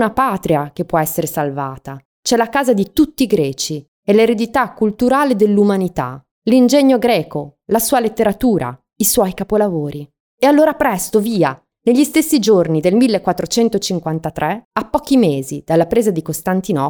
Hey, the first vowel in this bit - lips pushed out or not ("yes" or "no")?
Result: no